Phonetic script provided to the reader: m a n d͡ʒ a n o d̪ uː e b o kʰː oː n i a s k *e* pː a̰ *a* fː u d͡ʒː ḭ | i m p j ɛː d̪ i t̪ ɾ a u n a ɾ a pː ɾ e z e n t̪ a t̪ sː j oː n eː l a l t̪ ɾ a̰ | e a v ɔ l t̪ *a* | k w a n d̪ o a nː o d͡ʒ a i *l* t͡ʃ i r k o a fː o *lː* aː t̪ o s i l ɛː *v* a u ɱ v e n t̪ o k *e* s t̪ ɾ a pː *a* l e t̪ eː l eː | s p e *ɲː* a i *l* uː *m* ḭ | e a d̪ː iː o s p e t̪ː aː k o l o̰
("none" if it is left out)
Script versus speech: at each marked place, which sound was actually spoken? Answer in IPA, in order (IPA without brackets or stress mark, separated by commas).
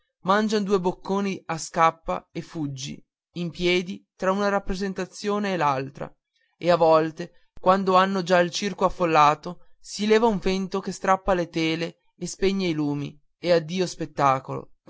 a, e, e, l, lː, v, e, a, ɲː, l, m